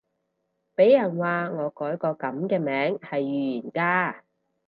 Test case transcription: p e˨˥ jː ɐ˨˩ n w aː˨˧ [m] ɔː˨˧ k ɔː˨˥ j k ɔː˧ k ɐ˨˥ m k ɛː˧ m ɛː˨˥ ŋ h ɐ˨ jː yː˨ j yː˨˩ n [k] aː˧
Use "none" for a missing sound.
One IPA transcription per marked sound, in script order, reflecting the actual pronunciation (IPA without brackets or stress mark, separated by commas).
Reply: ŋ, k